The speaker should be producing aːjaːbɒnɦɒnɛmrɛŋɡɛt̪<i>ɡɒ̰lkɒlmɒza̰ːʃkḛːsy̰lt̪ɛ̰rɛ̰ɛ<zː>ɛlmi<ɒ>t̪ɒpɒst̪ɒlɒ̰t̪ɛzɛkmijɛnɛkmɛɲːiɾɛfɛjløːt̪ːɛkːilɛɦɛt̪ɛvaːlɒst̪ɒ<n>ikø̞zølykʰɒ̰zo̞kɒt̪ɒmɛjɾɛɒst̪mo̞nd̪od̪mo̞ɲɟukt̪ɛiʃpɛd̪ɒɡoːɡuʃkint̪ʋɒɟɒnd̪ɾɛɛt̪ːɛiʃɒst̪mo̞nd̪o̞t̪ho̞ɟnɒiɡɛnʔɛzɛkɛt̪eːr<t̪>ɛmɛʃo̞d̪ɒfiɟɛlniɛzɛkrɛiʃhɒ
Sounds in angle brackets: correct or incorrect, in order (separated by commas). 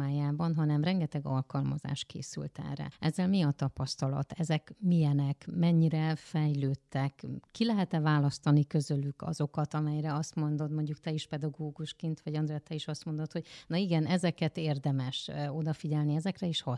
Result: incorrect, correct, correct, correct, incorrect